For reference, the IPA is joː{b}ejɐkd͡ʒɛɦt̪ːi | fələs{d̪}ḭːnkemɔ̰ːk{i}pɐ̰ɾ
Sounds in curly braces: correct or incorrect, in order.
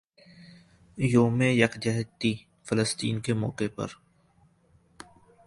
incorrect: m, incorrect: t̪, incorrect: e

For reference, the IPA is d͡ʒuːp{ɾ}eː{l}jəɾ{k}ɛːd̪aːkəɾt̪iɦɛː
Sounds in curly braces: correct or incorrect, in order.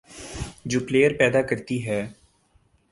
incorrect: l, incorrect: none, incorrect: p

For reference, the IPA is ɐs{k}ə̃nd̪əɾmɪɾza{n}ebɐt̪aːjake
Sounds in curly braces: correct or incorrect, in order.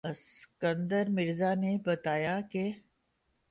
correct, correct

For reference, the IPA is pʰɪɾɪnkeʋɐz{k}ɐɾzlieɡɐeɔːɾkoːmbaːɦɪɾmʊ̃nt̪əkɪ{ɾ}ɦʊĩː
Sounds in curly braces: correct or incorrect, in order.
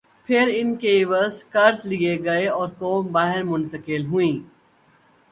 correct, incorrect: l

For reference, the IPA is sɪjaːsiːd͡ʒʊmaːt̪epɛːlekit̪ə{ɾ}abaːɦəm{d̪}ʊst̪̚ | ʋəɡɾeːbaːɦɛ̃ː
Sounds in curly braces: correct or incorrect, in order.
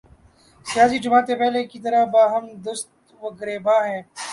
correct, correct

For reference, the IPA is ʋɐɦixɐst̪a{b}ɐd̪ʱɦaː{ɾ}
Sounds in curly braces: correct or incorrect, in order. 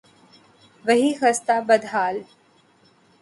correct, incorrect: l

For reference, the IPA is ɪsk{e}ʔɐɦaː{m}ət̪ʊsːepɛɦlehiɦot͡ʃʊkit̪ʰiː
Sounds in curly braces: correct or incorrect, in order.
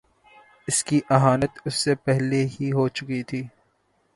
incorrect: i, incorrect: n

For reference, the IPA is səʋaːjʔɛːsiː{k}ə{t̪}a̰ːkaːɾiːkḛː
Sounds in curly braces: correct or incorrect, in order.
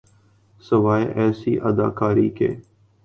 incorrect: ʔ, incorrect: d̪

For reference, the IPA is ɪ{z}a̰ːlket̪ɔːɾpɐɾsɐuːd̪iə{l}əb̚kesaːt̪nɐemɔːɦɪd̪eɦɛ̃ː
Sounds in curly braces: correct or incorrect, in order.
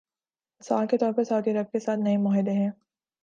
incorrect: s, incorrect: ɾ

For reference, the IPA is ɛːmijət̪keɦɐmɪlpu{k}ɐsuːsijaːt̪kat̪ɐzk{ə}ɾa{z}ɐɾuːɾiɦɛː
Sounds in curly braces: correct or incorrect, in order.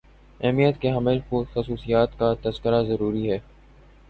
incorrect: x, correct, correct

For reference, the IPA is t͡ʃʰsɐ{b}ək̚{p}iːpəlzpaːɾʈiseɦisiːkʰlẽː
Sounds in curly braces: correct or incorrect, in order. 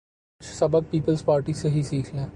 correct, correct

